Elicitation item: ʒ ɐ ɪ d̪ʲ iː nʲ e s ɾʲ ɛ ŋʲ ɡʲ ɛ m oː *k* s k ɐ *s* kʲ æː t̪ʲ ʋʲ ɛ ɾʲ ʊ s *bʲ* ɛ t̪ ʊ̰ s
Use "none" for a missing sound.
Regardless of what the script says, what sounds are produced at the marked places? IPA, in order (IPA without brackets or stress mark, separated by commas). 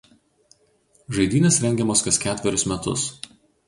none, s, mʲ